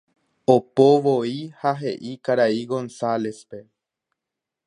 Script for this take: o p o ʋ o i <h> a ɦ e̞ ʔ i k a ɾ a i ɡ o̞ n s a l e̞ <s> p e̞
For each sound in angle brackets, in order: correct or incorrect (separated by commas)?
correct, correct